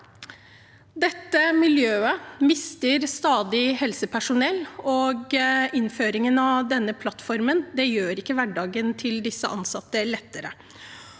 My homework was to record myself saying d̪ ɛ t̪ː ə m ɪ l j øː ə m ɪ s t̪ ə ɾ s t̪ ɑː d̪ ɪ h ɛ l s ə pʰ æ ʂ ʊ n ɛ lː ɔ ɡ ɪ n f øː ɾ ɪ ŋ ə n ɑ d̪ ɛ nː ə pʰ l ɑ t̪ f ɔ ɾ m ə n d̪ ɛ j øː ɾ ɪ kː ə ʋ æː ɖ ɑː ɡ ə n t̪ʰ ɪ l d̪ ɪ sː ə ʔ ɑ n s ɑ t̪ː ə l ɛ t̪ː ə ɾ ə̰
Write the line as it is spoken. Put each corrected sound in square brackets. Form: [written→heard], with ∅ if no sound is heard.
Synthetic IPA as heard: d̪ ɛ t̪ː ə m ɪ l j øː ə m ɪ s t̪ ə ɾ s t̪ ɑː d̪ ɪ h ɛ l s ə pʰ æ ʂ ʊ n ɛ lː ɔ ɡ ɪ n f øː ɾ ɪ ŋ ə n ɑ d̪ ɛ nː ə pʰ l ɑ t̪ f ɔ ɾ m ə n d̪ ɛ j øː ɾ ɪ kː ə ʋ [æː→æ] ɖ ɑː ɡ ə n t̪ʰ ɪ l d̪ ɪ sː ə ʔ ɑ n s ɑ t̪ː ə l ɛ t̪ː ə ɾ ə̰